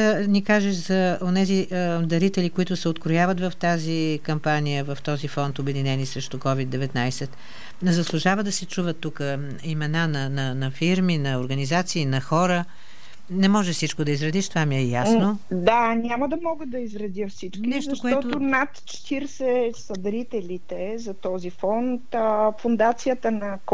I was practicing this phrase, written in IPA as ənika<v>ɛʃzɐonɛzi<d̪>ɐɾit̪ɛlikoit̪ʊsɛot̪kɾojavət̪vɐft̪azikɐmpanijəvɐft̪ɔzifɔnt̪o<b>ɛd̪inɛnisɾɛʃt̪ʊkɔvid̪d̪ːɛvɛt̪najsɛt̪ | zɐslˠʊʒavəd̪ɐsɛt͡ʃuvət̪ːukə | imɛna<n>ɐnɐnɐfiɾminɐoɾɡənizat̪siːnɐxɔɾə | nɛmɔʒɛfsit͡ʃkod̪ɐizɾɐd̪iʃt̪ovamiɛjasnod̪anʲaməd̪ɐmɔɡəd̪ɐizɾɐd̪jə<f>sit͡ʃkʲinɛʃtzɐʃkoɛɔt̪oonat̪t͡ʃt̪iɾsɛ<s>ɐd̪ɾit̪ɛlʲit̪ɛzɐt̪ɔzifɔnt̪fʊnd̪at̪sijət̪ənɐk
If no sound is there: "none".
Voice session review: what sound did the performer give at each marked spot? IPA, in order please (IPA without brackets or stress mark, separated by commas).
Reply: ʒ, d̪, b, n, f, s